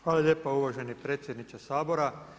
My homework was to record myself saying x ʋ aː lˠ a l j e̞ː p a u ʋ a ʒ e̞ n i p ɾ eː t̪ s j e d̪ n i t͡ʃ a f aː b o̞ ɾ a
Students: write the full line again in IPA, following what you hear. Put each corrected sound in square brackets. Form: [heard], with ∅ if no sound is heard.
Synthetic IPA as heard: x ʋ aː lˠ a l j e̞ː p a u ʋ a ʒ e̞ n i p ɾ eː t̪ s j e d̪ n i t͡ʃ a [s] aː b o̞ ɾ a